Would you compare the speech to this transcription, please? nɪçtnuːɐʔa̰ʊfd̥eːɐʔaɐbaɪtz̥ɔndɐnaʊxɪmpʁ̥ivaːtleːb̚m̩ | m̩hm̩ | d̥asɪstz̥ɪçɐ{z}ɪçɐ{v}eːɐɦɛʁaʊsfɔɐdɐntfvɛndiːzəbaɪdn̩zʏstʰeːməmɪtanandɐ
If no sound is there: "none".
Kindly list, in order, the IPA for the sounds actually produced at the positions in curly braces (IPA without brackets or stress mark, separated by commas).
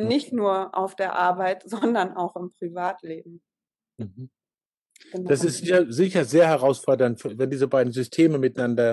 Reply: z, z